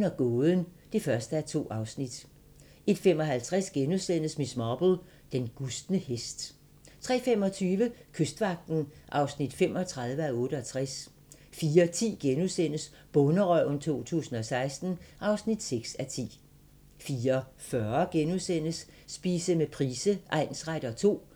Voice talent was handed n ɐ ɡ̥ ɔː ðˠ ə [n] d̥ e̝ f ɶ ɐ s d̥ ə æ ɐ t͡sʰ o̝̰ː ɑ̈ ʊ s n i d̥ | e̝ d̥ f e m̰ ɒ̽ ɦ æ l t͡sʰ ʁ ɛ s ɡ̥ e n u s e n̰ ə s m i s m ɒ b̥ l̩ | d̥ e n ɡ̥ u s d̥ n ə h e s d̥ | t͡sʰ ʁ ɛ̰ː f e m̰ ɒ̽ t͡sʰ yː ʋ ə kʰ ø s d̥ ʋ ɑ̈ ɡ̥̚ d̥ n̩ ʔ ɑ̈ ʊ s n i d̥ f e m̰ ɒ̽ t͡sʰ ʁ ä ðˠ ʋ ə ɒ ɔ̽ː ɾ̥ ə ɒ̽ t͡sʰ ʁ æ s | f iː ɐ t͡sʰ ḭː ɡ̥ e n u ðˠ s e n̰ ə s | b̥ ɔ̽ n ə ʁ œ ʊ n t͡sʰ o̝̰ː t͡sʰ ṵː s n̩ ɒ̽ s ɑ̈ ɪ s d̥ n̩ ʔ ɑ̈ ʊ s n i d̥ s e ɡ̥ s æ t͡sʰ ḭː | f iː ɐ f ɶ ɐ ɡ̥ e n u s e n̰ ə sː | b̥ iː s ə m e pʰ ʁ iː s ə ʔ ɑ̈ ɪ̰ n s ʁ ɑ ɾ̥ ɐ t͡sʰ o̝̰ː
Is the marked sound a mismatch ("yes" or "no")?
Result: no